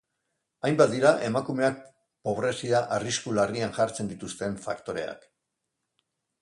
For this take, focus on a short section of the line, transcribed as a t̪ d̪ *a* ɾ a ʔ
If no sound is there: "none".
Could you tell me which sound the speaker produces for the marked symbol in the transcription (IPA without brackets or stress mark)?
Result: i